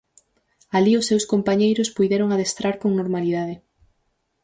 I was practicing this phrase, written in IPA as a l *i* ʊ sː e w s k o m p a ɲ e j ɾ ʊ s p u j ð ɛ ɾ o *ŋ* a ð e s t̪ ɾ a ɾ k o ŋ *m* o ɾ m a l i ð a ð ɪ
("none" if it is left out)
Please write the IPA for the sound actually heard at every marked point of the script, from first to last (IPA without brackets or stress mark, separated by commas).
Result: i, ŋ, n